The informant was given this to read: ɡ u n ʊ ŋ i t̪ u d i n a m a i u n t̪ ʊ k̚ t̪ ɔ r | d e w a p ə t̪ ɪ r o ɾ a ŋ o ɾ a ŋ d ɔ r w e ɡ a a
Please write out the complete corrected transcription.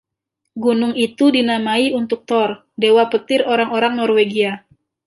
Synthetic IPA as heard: ɡ u n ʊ ŋ i t̪ u d i n a m a i u n t̪ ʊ k̚ t̪ ɔ r | d e w a p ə t̪ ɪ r o ɾ a ŋ o ɾ a ŋ n ɔ r w e ɡ i a